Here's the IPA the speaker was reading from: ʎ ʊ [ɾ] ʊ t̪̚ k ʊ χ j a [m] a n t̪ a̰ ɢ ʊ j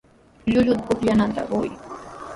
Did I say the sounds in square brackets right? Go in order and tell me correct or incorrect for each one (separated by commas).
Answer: incorrect, incorrect